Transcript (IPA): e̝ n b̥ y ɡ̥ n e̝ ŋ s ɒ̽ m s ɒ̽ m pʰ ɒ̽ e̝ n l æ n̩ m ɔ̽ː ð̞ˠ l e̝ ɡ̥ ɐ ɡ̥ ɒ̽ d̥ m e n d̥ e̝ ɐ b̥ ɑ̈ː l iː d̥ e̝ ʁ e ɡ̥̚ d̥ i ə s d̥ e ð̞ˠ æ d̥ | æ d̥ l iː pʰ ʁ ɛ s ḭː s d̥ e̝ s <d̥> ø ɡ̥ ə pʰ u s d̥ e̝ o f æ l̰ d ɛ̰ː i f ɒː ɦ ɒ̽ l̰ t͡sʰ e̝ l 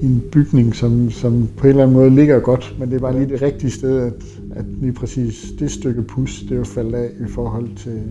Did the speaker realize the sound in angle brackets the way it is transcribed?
yes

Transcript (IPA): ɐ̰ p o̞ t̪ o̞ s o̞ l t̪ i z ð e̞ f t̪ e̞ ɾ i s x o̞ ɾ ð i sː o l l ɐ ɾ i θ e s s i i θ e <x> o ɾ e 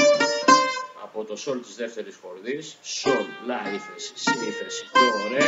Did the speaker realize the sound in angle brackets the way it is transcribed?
no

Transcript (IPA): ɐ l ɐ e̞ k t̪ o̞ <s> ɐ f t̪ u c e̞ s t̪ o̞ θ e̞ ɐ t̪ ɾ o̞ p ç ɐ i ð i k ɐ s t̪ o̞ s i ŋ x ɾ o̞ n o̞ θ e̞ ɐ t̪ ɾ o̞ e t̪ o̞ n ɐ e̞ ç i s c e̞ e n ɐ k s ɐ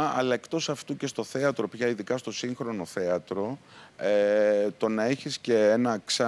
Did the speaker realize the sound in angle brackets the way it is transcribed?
yes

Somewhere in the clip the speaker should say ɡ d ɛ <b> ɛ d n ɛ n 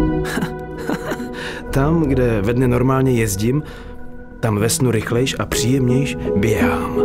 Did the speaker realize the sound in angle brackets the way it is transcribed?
no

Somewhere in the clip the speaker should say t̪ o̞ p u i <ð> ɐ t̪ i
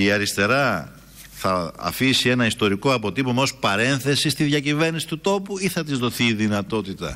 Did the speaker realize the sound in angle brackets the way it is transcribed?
no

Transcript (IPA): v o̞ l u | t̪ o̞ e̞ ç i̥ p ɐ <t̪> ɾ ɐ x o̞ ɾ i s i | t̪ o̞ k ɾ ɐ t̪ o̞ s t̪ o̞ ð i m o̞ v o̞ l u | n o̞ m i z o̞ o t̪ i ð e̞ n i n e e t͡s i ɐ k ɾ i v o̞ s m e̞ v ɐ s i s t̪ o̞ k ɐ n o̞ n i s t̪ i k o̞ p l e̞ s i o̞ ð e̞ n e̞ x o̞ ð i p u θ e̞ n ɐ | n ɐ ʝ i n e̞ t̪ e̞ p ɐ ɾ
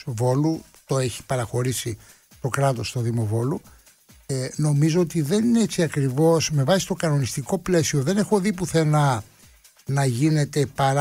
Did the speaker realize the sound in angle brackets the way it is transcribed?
no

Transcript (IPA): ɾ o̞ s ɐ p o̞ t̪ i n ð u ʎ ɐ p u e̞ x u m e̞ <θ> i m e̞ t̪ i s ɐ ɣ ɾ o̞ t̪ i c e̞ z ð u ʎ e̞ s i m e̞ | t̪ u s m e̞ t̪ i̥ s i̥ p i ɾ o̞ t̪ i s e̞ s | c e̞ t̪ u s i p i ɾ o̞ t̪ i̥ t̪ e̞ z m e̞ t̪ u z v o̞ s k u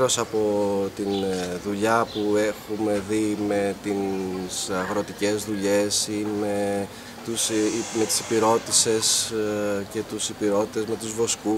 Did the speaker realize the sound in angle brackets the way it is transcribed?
no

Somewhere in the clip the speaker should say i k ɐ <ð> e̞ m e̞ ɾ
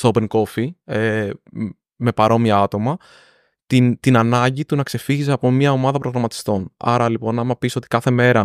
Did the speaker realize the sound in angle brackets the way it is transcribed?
no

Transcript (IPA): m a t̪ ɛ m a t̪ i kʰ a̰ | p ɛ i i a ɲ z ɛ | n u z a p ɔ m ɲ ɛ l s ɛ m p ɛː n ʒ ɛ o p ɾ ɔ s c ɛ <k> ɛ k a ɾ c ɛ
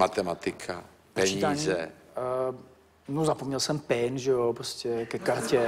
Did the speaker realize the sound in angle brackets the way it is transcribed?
yes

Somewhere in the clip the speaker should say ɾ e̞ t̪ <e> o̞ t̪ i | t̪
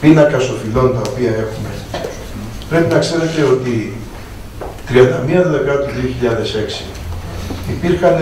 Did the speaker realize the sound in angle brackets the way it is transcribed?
yes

